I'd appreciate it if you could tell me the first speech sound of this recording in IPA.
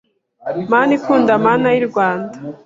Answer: m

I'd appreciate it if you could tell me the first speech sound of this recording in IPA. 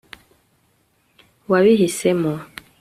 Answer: w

